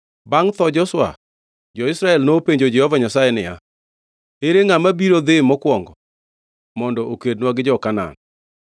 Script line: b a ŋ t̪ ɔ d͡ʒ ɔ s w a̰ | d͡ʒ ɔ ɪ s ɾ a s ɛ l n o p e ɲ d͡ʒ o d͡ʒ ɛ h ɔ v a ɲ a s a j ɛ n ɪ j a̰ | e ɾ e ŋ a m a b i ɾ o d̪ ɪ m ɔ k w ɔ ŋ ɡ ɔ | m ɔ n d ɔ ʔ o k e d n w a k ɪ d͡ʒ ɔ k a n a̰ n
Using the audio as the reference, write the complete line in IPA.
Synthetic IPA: b a ŋ t̪ ɔ d͡ʒ ɔ s w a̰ | d͡ʒ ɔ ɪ s ɾ a ɛ l n o p e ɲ d͡ʒ o d͡ʒ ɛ h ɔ v a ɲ a s a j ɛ n ɪ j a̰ | e ɾ e ŋ a m a b i ɾ o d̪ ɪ m ɔ k w ɔ ŋ ɡ ɔ | m ɔ n d ɔ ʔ o k e d n w a ɡ ɪ d͡ʒ ɔ k a n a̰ n